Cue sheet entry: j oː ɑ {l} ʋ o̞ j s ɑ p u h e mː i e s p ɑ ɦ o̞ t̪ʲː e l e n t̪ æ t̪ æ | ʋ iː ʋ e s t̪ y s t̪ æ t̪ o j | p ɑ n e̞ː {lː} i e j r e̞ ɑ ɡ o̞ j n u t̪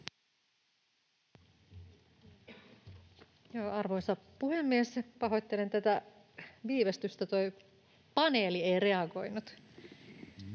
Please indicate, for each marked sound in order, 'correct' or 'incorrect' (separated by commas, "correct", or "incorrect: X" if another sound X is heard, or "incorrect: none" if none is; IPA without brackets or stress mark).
incorrect: r, incorrect: l